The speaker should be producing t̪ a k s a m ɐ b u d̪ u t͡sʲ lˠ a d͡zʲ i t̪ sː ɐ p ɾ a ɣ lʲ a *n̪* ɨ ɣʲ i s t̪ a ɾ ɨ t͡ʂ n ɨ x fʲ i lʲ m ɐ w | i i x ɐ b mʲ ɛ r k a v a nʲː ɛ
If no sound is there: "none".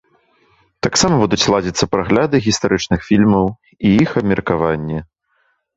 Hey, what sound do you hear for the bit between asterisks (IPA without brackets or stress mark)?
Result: d̪